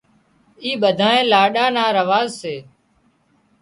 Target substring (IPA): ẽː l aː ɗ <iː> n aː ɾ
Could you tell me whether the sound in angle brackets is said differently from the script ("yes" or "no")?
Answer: yes